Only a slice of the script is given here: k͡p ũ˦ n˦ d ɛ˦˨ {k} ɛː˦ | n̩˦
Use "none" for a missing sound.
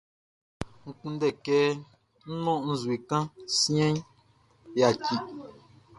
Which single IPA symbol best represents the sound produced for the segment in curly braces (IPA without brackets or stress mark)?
k